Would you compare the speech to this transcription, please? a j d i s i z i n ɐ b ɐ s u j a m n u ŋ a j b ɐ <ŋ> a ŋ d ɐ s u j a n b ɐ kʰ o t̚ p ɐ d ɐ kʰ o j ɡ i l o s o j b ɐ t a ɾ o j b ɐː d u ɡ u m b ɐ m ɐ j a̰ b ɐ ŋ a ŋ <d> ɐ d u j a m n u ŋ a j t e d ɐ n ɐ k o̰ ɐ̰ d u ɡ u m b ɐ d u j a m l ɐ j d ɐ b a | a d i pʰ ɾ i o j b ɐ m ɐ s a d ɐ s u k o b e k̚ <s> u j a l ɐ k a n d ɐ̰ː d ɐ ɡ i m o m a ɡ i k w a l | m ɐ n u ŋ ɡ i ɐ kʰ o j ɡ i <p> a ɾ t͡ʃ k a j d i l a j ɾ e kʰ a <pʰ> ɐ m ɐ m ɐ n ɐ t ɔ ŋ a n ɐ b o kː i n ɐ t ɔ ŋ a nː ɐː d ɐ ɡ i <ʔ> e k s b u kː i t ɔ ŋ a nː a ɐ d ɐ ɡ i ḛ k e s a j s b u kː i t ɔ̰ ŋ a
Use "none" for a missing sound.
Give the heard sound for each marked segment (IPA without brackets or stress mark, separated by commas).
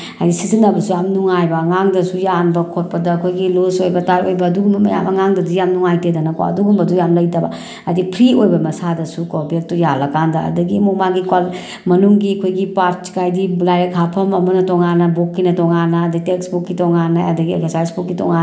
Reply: ŋ, d, t, p, pʰ, t